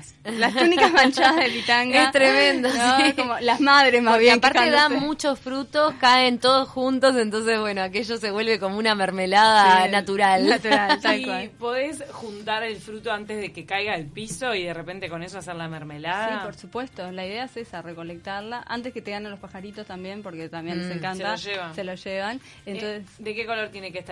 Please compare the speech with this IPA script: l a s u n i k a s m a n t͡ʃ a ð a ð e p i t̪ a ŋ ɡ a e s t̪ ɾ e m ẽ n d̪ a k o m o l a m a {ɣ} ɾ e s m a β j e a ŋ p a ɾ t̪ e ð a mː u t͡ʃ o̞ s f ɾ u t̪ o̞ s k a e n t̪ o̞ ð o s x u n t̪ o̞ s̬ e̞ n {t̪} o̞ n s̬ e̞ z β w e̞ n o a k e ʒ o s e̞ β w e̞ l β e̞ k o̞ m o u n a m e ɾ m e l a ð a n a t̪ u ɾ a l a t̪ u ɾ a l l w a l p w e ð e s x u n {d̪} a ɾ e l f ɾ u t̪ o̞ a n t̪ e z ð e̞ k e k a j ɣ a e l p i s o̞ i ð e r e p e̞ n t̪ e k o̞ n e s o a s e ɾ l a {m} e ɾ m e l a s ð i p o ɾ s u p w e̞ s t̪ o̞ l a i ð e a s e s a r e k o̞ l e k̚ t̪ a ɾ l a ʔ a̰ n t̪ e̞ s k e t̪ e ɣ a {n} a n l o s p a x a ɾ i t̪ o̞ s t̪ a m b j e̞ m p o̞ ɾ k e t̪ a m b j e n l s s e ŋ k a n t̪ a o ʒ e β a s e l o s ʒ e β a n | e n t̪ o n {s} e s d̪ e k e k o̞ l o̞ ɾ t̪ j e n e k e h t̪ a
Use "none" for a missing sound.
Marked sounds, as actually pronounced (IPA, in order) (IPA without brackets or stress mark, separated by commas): ð, t̪, t̪, m, n, s